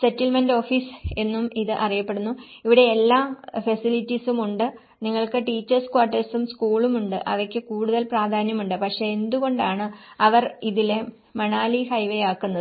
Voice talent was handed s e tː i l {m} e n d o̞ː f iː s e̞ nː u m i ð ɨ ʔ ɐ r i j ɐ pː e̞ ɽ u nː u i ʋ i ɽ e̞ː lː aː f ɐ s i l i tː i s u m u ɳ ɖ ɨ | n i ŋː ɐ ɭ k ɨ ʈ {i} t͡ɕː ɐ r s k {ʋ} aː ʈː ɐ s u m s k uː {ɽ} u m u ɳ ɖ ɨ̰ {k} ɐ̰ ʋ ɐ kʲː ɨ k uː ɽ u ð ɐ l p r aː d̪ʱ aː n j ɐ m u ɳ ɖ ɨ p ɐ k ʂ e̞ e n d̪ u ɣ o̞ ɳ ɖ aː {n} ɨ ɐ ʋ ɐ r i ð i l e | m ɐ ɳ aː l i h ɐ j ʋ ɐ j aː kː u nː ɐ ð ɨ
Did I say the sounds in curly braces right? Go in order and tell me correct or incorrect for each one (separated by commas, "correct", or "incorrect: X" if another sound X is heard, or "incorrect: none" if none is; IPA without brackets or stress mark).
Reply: correct, incorrect: iː, incorrect: w, incorrect: ɭ, incorrect: ʔ, incorrect: ɳ